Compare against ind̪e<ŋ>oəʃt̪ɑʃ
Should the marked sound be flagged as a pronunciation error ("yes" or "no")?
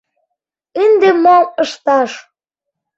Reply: yes